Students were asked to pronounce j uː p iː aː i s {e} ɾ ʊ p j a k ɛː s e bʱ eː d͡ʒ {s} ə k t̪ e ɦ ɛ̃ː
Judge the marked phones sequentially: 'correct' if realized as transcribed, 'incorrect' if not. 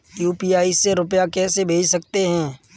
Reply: correct, correct

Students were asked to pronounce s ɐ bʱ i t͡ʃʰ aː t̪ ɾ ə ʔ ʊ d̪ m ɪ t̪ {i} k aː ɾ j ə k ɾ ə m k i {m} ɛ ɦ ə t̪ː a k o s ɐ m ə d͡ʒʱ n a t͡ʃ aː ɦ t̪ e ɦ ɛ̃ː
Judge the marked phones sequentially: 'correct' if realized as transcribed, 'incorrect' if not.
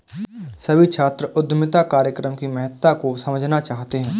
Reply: incorrect, correct

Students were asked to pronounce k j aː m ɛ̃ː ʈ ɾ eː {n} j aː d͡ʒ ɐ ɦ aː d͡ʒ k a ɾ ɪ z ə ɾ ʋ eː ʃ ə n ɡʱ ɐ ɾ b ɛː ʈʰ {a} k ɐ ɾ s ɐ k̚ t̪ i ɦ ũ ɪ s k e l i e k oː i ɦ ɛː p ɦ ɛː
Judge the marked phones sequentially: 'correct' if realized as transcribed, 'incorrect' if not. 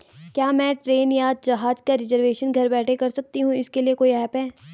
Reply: correct, incorrect

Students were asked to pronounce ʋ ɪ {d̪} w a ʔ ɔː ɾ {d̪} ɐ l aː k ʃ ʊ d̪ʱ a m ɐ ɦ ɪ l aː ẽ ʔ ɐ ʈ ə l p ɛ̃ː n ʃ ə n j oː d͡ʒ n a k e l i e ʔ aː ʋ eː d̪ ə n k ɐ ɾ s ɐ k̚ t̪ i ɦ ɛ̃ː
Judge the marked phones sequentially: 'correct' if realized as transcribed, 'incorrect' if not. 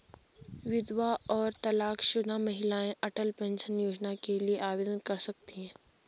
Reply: correct, incorrect

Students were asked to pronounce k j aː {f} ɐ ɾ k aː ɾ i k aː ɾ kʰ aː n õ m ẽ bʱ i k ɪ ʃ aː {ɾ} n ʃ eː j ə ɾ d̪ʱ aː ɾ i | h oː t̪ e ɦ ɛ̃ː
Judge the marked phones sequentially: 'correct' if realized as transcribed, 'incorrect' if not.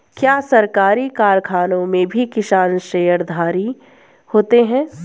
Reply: incorrect, correct

